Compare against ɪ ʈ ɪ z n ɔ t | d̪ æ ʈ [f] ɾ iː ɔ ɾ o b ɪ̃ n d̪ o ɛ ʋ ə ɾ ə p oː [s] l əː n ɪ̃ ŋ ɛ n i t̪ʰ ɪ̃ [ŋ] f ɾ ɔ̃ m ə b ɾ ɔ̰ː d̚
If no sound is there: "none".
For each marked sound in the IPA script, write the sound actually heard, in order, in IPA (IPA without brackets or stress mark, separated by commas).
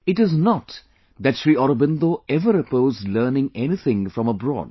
ʃ, z, ŋ